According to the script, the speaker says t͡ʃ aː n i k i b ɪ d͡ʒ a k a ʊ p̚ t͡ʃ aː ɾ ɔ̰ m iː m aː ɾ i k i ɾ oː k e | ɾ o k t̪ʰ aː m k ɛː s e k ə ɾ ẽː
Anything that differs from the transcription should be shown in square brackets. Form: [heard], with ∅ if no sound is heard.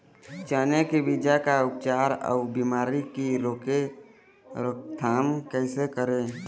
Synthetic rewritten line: t͡ʃ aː n [e] k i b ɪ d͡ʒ a k a ʊ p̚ t͡ʃ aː ɾ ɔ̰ [b] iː m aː ɾ i k i ɾ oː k e | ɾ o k t̪ʰ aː m k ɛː s e k ə ɾ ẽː